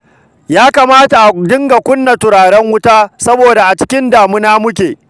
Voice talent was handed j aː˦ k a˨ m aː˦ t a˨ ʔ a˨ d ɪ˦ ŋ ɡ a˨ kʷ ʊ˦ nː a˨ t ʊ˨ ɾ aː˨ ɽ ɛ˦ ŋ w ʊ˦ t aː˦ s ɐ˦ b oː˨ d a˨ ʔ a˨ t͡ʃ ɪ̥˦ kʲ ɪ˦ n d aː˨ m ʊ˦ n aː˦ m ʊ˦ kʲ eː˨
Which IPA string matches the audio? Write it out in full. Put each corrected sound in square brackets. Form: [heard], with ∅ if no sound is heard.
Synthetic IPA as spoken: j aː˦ k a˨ m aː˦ t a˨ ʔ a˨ d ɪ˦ ŋ ɡ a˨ kʷ ʊ˦ nː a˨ t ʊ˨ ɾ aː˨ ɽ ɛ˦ ŋ w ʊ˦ t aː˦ s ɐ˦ b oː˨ d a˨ ʔ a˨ t͡ʃ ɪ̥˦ kʲ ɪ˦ n d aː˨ m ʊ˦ n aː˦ m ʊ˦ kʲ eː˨

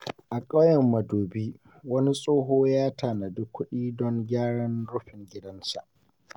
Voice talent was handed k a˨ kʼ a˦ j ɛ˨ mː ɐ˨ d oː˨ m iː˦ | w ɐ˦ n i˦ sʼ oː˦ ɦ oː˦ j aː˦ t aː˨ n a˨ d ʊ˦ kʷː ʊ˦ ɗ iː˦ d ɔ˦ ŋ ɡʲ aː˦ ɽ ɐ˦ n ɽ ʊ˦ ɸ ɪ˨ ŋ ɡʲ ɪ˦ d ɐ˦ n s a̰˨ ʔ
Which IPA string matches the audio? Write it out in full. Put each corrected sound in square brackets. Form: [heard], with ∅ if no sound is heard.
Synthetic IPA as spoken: [ʔ] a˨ kʼ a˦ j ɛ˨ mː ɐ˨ d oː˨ [b] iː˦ | w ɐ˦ n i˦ sʼ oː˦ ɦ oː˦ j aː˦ t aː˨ n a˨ d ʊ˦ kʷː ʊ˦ ɗ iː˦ d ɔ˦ ŋ ɡʲ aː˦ ɽ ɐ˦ n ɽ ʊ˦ ɸ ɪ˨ ŋ ɡʲ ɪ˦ d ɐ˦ n s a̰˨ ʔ

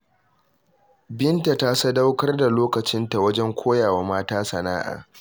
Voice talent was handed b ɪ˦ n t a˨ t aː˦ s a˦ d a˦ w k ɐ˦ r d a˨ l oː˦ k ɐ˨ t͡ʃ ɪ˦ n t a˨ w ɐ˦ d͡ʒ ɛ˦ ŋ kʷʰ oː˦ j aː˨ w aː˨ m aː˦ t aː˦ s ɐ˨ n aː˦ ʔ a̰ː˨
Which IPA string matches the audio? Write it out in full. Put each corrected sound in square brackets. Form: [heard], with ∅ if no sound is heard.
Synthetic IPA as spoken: b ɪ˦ n t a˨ t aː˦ s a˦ d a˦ w k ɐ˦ r d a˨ l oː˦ k ɐ˨ t͡ʃ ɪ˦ n t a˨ w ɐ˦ d͡ʒ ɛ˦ ŋ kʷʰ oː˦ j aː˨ w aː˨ m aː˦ t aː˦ s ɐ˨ n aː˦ ʔ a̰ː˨

